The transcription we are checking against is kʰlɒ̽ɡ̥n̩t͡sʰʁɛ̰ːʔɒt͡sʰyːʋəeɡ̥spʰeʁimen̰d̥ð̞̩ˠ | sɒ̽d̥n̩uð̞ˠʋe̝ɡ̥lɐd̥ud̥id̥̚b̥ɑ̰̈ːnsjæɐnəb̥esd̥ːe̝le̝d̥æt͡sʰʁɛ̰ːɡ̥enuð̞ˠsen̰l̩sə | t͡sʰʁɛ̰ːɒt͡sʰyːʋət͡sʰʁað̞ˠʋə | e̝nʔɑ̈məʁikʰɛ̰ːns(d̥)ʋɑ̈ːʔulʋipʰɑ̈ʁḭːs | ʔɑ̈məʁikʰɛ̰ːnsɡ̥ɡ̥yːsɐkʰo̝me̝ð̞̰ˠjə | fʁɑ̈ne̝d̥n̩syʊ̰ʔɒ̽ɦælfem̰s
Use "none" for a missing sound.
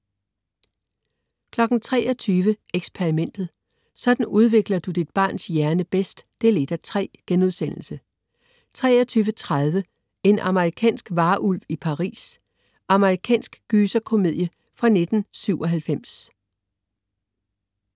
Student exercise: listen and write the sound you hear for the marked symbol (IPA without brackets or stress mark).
ɡ̥